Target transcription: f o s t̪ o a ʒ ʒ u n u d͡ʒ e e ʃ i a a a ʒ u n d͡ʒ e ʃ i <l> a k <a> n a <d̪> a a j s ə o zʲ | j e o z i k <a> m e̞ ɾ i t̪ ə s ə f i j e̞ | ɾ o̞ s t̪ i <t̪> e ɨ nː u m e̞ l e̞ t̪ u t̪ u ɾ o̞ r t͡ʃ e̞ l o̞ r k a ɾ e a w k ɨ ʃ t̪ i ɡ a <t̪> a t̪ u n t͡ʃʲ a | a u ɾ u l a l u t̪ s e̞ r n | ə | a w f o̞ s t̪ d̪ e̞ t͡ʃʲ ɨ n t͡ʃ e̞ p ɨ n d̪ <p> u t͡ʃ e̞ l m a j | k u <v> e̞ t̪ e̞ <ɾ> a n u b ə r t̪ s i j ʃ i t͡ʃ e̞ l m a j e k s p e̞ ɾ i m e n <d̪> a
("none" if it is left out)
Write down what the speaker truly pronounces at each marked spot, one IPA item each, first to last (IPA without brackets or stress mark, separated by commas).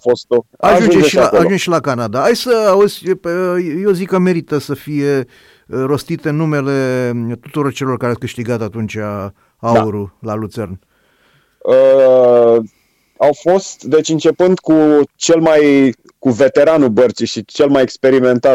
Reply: l, a, d̪, ə, t̪, t̪, k, v, ɾ, t̪